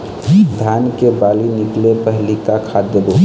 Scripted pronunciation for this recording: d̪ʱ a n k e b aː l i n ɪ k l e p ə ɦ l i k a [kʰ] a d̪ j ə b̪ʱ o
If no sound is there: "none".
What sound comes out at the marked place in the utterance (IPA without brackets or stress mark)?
kʰ